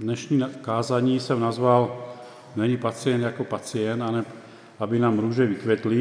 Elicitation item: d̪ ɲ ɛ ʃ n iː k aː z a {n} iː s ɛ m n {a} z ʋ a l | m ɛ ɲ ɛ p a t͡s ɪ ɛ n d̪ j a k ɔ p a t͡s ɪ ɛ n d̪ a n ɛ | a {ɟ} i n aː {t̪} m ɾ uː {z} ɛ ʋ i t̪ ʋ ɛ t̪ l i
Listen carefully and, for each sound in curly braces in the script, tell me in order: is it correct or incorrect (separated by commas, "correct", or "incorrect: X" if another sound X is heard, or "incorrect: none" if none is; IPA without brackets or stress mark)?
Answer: incorrect: ɲ, correct, incorrect: b, incorrect: none, incorrect: ʒ